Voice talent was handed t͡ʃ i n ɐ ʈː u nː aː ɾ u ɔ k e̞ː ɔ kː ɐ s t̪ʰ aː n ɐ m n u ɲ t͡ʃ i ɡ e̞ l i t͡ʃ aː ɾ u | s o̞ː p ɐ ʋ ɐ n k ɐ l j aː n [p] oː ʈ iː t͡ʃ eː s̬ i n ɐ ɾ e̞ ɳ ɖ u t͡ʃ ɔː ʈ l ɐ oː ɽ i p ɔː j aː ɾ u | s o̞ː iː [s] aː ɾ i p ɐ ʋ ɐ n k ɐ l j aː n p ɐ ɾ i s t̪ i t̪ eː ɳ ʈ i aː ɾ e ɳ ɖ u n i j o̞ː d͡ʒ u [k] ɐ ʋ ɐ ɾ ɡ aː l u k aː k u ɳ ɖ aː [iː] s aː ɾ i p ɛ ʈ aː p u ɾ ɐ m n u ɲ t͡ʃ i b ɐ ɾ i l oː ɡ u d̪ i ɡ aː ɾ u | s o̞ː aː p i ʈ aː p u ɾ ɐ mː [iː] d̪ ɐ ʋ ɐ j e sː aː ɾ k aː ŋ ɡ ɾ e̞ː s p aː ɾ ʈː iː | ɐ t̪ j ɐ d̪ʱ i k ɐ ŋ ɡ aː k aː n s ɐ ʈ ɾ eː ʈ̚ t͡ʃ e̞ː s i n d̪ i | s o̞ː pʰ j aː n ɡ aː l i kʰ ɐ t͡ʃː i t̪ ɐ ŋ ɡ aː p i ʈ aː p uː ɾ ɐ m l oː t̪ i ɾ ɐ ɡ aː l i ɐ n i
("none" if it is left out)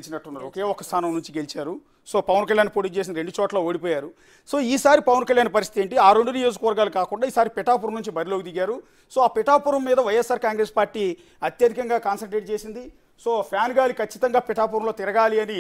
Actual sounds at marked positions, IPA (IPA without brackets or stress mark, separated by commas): p, s, k, iː, iː